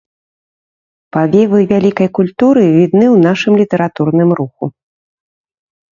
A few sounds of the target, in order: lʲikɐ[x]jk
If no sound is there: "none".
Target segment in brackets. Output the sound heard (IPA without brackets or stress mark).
none